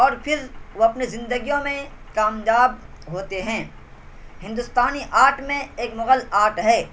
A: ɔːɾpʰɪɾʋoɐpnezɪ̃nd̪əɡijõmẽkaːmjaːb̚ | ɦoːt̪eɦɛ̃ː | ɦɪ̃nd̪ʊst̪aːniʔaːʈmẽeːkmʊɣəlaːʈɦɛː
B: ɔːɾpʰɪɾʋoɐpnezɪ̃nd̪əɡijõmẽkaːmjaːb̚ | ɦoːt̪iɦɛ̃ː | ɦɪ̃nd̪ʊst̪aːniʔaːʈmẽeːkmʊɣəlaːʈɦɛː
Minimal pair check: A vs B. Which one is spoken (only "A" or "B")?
A